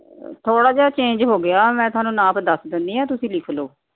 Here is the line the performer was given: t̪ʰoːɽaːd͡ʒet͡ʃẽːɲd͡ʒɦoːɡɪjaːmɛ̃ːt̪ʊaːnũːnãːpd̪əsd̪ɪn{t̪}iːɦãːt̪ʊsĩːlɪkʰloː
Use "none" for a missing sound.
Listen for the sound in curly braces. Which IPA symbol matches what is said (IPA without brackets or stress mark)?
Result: d̪